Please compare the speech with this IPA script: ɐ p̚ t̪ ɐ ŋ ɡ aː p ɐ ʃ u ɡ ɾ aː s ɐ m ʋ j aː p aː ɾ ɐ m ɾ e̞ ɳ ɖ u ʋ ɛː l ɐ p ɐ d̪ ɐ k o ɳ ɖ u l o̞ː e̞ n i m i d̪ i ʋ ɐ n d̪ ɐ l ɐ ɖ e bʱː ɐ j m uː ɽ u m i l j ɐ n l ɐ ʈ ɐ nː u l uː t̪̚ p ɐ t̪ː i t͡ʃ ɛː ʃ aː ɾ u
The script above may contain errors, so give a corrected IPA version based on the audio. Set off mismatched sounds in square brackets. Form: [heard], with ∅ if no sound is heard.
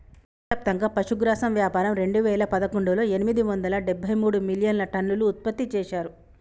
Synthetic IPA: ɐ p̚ t̪ ɐ ŋ ɡ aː p ɐ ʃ u ɡ ɾ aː s ɐ m ʋ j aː p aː ɾ ɐ m ɾ e̞ ɳ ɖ u ʋ ɛː l ɐ p ɐ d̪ ɐ k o ɳ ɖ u l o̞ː e̞ n i m i d̪ i ʋ ɐ n d̪ ɐ l ɐ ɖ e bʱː ɐ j m uː ɽ u m i l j ɐ n l ɐ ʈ ɐ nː u l uː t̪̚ p ɐ t̪ː i t͡ʃ ɛː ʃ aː ɾ u